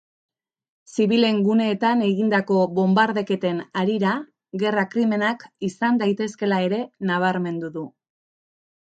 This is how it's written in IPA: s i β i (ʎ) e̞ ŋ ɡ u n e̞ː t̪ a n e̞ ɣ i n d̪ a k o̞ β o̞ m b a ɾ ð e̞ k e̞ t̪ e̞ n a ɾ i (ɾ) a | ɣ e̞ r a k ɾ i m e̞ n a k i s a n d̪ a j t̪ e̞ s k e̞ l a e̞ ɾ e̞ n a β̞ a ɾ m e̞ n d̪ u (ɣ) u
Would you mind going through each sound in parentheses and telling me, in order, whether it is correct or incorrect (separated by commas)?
incorrect, correct, incorrect